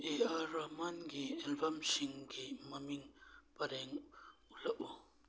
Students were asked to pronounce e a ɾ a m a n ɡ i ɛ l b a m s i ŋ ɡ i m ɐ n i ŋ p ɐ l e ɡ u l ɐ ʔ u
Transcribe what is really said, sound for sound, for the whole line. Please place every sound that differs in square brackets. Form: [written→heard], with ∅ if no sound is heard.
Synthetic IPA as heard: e a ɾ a m a n ɡ i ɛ l b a m s i ŋ ɡ i m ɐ [n→m] i ŋ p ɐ [l→ɾ] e [ɡ→ŋ] u l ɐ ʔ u